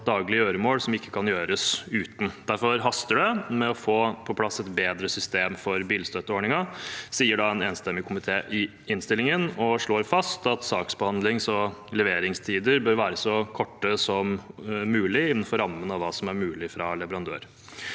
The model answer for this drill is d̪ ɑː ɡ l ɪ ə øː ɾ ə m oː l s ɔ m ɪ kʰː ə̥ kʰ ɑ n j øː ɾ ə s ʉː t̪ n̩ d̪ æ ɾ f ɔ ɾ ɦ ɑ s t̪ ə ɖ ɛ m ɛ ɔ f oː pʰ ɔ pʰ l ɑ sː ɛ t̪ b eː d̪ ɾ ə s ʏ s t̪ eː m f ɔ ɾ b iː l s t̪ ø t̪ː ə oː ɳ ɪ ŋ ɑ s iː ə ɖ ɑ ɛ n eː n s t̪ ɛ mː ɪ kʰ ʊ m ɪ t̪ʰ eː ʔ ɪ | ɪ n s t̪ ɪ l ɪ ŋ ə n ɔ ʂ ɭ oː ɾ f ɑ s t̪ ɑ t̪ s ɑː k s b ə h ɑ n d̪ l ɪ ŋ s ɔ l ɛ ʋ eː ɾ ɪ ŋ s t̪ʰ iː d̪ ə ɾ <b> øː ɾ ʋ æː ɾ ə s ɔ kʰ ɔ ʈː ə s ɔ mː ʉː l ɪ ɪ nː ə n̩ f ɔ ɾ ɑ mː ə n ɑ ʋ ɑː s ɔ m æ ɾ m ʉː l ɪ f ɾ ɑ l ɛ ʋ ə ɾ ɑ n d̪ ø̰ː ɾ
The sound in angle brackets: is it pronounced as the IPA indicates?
yes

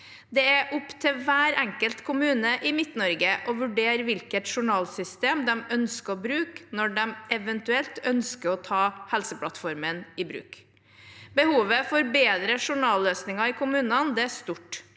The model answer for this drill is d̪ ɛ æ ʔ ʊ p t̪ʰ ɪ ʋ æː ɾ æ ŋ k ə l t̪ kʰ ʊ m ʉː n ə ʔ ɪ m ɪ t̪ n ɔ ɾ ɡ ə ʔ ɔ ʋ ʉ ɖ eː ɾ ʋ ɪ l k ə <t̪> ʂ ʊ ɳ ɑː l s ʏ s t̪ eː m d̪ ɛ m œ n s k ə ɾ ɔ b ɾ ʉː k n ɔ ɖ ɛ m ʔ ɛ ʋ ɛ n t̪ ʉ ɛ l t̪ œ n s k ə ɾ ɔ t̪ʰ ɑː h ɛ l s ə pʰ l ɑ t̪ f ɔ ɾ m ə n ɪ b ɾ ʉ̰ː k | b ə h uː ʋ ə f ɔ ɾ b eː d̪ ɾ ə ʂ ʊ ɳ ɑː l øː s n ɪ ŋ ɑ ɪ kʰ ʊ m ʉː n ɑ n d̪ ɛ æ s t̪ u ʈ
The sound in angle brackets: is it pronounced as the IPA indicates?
yes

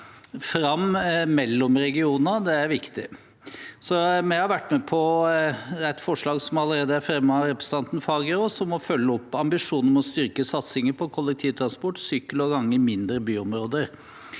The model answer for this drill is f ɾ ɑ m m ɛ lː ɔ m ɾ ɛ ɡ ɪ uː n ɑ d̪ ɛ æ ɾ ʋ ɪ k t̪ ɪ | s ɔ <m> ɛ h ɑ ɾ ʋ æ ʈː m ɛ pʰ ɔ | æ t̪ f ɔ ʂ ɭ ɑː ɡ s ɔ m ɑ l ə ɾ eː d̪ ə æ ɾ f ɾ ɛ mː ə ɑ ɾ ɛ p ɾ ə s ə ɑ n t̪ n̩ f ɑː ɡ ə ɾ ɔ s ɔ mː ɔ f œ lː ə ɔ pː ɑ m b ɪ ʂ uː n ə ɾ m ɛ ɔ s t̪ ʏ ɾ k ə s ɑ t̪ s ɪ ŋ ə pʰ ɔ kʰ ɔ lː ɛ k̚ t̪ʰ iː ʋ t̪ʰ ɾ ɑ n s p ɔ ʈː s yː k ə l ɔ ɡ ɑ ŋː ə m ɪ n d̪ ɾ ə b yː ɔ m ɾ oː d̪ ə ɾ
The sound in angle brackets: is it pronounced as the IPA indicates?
yes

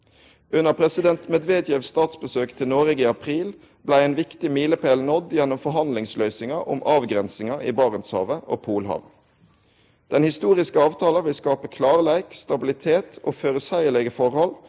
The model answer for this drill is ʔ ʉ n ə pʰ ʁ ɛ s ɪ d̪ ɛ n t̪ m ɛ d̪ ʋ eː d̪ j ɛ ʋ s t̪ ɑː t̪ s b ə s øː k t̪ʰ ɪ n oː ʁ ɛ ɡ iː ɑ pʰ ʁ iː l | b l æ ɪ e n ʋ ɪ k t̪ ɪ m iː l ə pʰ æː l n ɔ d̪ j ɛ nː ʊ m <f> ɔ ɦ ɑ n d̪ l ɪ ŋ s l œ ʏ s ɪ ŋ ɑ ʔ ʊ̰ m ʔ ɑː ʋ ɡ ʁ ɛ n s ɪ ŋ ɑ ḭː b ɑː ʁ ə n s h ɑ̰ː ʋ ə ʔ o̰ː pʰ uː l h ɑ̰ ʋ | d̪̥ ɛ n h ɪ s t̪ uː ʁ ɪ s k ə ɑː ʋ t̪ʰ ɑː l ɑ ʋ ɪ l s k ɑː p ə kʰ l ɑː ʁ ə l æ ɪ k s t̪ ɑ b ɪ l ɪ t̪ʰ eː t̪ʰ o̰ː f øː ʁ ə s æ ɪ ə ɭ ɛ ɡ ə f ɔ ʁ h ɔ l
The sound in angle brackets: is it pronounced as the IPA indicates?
yes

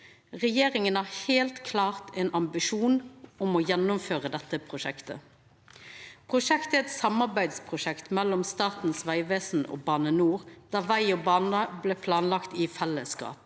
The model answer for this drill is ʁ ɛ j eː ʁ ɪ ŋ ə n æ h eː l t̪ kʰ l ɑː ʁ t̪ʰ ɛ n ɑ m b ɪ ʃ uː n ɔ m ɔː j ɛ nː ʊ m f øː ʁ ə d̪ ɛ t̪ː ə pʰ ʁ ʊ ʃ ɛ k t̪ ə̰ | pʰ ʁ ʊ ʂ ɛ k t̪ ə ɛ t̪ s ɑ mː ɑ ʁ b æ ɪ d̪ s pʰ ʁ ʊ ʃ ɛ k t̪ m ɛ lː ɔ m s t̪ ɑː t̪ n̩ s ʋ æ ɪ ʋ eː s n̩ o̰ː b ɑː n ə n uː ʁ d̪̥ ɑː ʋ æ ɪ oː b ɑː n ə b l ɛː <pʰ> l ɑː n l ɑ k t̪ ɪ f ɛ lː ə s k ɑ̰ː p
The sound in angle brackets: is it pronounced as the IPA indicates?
yes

